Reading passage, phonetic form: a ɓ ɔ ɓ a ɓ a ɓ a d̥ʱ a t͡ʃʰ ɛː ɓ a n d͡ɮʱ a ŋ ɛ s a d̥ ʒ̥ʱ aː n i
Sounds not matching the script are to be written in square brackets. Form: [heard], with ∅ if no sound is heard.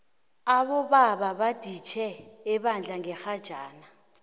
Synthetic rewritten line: a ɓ ɔ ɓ a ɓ a ɓ a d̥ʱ [i] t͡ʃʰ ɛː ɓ a n d͡ɮʱ a ŋ ɛ [x] a d̥ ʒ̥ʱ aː n [a]